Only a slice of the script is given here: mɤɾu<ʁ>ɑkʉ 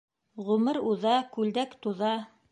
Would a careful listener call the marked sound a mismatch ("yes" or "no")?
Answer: yes